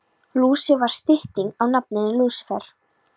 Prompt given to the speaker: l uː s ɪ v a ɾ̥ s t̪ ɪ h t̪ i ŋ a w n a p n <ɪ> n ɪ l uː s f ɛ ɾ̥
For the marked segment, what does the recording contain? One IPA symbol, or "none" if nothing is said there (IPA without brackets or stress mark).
ɪ